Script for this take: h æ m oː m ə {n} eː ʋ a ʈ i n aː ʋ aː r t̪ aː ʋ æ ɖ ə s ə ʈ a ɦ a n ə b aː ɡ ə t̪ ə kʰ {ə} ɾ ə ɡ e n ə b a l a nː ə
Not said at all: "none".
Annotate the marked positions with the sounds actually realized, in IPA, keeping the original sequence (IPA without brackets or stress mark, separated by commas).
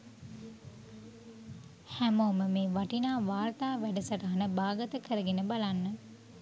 m, ə